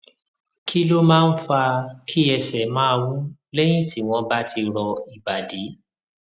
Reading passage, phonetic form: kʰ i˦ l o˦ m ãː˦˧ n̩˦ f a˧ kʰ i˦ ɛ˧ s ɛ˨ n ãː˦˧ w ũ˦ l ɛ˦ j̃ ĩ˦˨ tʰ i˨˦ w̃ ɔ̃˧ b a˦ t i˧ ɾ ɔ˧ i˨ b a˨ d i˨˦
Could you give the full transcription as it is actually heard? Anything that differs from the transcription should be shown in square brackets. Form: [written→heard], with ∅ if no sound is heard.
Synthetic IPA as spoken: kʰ i˦ l o˦ m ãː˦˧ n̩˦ f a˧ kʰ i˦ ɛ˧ s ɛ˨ [n→m] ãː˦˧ w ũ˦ l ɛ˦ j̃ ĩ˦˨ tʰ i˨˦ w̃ ɔ̃˧ b a˦ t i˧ ɾ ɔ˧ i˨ b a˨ d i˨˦